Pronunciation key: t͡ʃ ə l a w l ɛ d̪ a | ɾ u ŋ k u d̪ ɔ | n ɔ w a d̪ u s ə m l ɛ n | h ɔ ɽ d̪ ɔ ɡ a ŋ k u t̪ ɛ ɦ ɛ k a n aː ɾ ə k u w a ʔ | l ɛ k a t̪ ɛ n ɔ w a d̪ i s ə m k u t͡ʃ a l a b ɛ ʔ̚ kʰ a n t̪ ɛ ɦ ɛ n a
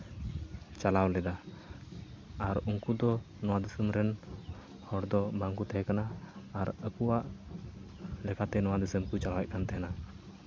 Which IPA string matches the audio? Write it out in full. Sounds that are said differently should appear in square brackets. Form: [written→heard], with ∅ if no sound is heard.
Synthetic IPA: t͡ʃ [ə→a] l a w l ɛ d̪ a | ɾ u ŋ k u d̪ ɔ | n ɔ w a d̪ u s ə m [l→ɾ] ɛ n | h ɔ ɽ d̪ ɔ [ɡ→b] a ŋ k u t̪ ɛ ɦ ɛ k a n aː ɾ ə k u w a ʔ | l ɛ k a t̪ ɛ n ɔ w a d̪ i s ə m k u t͡ʃ a l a [b→w] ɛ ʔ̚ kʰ a n t̪ ɛ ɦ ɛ n a